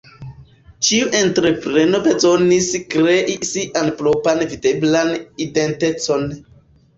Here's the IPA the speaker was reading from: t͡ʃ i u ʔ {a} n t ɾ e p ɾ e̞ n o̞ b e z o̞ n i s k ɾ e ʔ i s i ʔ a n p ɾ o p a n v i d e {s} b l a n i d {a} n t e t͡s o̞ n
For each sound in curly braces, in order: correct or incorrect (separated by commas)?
incorrect, incorrect, incorrect